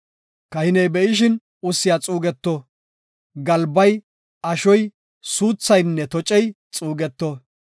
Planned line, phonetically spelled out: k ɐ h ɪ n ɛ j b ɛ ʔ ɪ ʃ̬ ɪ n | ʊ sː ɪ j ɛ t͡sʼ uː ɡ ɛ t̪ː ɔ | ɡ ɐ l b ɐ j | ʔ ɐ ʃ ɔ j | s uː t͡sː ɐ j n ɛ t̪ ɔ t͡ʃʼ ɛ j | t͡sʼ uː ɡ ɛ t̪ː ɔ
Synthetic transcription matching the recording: k ɐ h ɪ n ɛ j b ɛ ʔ ɪ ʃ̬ ɪ n | ʊ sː ɪ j a t͡sʼ uː ɡ ɛ t̪ː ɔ | ɡ ɐ l b ɐ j | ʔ ɐ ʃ ɔ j | s uː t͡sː ɐ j nː ɛ t̪ ɔ t͡ʃʼ ɛ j | t͡sʼ uː ɡ ɛ t̪ː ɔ